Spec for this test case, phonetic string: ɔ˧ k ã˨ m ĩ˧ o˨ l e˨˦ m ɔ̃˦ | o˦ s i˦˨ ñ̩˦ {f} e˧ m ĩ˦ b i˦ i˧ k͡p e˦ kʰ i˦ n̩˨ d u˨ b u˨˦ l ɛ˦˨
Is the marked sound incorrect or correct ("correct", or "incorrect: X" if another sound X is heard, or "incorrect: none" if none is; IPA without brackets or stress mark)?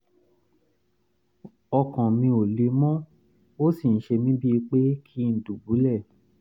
incorrect: ʃ